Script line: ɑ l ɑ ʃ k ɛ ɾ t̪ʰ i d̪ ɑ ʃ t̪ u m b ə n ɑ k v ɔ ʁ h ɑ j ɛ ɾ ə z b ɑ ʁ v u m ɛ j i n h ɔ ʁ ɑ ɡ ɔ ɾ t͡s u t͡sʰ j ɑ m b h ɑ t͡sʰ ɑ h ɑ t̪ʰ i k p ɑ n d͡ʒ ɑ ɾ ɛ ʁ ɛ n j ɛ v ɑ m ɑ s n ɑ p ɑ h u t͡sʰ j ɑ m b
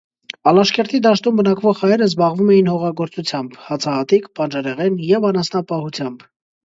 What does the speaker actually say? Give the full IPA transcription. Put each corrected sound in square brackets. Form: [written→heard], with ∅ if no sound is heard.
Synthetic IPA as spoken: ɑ l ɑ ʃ k ɛ ɾ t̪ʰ i d̪ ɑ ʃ t̪ u m b ə n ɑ k v ɔ ʁ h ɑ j ɛ ɾ ə z b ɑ ʁ v u m ɛ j i n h ɔ ʁ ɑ ɡ ɔ ɾ t͡s u t͡sʰ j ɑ m b h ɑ t͡sʰ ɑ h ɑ [t̪ʰ→t̪] i k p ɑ n d͡ʒ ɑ ɾ ɛ ʁ ɛ n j ɛ v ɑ [m→n] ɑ s n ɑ p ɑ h u t͡sʰ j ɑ m b